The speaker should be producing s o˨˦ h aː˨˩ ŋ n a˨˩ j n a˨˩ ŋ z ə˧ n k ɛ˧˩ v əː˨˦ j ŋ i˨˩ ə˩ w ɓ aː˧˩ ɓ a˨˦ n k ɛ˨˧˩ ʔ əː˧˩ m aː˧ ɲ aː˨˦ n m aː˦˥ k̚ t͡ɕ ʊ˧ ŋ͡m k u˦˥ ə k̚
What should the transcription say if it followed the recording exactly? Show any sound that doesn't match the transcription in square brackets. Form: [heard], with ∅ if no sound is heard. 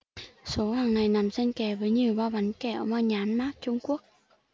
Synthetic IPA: s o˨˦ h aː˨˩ ŋ n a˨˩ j n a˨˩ [m] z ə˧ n k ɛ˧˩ v əː˨˦ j [ɲ] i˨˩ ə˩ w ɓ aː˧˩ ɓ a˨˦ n k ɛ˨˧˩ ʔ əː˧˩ m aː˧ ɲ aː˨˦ n m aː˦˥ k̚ t͡ɕ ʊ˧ ŋ͡m k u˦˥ ə k̚